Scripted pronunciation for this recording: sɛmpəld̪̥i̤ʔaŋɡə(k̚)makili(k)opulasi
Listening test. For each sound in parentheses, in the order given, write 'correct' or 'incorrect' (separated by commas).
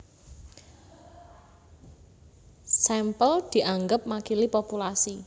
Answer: incorrect, incorrect